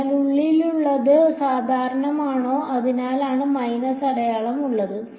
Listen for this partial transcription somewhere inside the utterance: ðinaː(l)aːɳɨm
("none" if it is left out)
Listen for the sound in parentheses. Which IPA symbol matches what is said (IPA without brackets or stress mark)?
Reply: l